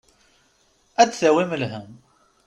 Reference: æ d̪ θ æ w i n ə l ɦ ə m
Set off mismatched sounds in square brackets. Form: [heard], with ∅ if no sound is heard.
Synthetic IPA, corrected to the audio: æ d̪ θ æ w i [m] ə l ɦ ə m